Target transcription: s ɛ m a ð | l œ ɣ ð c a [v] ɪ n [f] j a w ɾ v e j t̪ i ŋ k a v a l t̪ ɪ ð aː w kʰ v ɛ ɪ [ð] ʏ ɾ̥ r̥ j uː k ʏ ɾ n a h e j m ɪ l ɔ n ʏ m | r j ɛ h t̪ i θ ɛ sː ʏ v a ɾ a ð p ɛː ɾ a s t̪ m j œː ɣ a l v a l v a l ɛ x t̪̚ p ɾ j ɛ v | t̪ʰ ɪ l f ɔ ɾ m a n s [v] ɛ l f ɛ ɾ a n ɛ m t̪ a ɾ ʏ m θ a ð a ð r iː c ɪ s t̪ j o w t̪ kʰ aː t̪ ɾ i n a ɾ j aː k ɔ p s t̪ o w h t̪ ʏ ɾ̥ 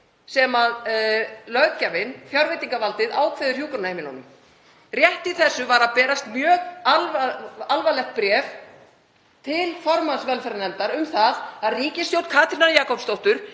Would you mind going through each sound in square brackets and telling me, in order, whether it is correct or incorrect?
correct, correct, correct, correct

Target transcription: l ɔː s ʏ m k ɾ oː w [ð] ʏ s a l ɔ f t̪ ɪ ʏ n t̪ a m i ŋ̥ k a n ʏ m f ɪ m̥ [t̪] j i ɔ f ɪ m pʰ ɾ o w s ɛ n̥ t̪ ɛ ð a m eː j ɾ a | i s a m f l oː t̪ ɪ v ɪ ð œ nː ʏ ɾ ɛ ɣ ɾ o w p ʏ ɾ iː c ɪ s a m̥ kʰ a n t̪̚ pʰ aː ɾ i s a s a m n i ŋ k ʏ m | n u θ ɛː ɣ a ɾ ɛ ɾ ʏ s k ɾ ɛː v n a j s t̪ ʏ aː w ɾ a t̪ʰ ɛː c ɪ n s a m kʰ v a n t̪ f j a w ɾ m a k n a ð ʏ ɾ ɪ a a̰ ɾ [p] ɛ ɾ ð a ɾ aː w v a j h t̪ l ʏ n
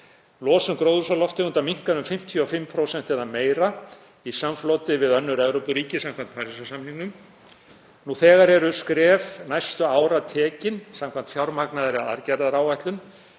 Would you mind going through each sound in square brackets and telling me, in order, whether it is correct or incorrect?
correct, incorrect, incorrect

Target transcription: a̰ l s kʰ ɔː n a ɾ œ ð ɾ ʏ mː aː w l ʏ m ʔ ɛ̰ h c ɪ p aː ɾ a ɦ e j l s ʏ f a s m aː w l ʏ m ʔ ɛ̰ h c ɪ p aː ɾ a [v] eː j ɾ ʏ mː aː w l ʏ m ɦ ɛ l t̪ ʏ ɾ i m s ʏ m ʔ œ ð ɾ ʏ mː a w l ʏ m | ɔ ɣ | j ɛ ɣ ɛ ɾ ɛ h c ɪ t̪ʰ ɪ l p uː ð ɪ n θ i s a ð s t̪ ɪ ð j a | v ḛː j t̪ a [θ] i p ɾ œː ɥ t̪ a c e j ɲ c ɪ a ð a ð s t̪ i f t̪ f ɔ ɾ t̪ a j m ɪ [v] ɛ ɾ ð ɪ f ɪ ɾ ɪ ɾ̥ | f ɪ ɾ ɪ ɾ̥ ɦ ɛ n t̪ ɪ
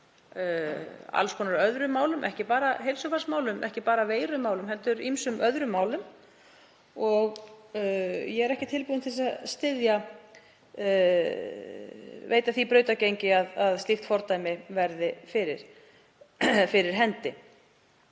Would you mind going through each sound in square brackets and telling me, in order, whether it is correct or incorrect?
correct, correct, correct

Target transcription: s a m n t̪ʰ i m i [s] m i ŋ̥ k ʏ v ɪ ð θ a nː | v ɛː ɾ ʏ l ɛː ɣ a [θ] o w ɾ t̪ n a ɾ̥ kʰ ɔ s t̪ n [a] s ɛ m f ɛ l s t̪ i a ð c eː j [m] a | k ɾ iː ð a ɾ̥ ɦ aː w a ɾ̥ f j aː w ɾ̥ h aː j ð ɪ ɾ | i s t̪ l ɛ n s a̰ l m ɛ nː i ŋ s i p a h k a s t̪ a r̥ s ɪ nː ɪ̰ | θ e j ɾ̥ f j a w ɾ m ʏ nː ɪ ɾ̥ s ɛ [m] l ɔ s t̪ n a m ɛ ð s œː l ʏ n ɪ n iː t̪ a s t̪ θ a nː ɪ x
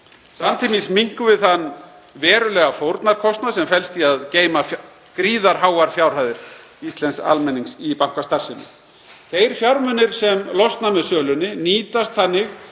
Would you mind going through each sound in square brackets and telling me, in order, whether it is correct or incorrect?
correct, incorrect, correct, correct, correct

